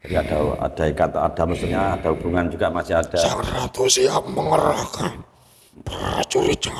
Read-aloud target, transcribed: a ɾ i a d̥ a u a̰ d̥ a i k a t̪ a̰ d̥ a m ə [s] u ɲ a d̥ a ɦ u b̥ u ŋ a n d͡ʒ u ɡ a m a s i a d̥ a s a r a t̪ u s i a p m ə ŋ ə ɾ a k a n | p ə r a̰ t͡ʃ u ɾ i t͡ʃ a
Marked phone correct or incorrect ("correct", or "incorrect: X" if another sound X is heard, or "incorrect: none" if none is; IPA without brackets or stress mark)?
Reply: correct